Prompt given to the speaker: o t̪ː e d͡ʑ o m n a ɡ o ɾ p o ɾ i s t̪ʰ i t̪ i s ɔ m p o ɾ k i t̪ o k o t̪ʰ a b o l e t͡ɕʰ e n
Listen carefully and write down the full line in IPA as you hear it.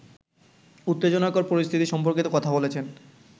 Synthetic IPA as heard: u t̪ː e d͡ʑ o n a k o ɾ p o ɾ i s t̪ʰ i t̪ i ʃ ɔ m p o ɾ k i t̪ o k ɔ t̪ʰ a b o l e t͡ɕʰ e n